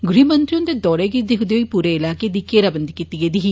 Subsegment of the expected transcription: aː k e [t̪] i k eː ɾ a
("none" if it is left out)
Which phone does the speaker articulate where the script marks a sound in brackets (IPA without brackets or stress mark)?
d̪